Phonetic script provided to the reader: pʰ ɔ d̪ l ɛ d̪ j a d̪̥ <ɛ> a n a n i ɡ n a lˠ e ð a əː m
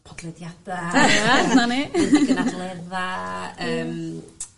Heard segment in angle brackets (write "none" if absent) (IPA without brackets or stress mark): a